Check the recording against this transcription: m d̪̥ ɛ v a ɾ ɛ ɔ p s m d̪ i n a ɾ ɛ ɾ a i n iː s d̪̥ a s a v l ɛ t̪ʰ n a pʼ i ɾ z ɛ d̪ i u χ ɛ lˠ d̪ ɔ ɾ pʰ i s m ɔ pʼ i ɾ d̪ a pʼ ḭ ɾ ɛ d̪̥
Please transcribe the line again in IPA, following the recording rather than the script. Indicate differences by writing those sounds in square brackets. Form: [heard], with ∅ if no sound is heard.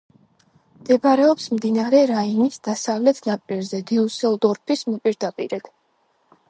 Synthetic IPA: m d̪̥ ɛ [b] a ɾ ɛ ɔ p s m d̪ i n a ɾ ɛ ɾ a i n [i] s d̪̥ a s a v l ɛ t̪ʰ n a pʼ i ɾ z ɛ d̪ i u [s] ɛ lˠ d̪ ɔ ɾ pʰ i s m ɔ pʼ i ɾ d̪ a pʼ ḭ ɾ ɛ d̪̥